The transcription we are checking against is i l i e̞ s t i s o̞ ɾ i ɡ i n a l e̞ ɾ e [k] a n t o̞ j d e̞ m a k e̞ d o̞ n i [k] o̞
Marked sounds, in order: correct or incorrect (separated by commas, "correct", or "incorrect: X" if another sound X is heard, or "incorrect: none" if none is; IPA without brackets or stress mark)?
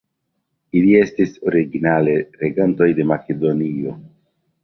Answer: incorrect: ɡ, incorrect: none